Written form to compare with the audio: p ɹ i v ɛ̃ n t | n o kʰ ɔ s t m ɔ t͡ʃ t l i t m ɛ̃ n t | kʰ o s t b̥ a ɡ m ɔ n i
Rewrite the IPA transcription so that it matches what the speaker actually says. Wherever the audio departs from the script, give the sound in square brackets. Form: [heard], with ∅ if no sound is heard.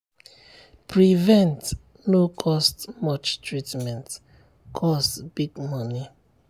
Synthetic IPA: p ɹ i v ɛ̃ n t | n o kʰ ɔ s t m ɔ t͡ʃ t [ɹ] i t m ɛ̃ n t | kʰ [ɔ] s t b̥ [i] ɡ m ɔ n i